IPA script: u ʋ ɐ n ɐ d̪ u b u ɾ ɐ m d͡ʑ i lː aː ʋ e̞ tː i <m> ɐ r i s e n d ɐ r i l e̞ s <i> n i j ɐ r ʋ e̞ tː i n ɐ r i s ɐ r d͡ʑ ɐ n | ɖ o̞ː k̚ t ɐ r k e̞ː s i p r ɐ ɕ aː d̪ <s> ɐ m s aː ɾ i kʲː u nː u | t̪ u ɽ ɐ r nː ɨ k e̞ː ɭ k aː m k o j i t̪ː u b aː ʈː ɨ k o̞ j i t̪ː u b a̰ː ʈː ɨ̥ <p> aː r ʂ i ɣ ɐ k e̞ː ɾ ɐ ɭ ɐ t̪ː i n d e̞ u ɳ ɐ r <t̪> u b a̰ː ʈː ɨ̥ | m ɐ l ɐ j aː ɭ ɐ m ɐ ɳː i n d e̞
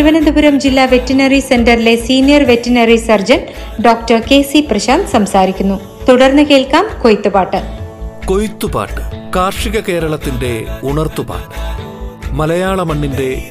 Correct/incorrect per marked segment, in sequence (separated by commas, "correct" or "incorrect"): incorrect, incorrect, correct, incorrect, correct